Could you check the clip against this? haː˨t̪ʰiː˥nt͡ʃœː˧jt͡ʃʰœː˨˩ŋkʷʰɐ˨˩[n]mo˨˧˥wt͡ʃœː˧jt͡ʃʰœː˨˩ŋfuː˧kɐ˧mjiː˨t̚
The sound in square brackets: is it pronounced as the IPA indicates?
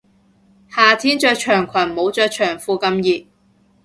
yes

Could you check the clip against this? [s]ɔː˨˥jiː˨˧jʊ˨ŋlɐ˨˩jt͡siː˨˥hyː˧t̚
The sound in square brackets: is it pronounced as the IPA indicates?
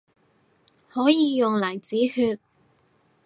no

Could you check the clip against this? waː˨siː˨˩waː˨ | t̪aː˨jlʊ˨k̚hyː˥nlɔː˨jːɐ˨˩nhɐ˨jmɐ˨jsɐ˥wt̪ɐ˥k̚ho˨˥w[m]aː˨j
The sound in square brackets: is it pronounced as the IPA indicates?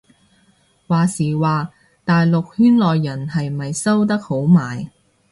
yes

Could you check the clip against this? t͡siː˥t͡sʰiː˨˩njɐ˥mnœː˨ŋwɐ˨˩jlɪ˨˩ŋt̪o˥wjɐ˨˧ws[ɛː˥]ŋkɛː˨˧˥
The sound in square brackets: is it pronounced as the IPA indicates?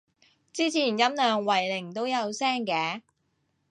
yes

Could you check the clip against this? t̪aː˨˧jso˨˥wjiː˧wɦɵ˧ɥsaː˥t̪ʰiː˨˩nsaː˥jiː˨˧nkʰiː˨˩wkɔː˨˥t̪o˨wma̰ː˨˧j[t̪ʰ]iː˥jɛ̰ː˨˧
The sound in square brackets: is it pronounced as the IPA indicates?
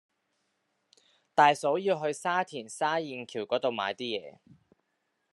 no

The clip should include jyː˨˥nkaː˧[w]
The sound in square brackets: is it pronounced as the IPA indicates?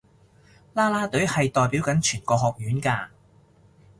no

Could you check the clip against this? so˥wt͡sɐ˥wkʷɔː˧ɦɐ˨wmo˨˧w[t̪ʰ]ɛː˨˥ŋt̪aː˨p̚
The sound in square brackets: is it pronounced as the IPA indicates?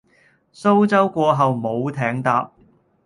yes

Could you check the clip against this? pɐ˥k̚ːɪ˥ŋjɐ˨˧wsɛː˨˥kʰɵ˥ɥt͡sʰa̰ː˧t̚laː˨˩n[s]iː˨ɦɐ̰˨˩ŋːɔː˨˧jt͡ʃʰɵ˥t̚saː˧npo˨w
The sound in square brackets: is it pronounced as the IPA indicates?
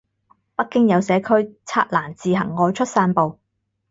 no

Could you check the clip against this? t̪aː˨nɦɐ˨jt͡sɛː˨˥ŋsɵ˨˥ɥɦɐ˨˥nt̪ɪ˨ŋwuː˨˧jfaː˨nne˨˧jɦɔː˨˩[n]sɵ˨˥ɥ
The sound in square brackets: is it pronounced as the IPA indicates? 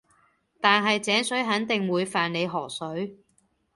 no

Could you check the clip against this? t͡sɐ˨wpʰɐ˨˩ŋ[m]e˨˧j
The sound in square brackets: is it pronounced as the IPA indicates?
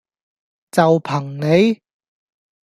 no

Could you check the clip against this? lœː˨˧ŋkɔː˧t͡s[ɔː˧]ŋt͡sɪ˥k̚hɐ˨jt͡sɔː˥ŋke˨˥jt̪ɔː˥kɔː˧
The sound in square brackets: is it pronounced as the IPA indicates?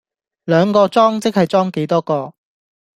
no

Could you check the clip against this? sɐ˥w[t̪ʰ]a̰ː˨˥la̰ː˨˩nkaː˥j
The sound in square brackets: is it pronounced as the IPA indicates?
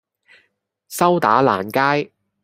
no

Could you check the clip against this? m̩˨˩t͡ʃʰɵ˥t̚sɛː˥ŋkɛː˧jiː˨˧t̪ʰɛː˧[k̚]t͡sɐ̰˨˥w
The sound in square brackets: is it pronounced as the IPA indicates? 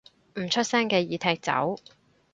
yes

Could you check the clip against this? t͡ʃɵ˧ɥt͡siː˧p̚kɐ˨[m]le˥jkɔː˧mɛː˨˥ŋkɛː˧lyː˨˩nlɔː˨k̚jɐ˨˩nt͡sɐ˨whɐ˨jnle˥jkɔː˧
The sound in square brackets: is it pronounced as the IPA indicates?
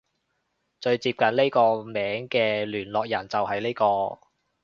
no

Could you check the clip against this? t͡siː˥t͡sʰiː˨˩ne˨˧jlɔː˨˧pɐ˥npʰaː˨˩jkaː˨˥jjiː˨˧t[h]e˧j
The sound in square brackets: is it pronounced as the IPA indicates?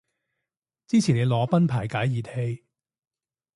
yes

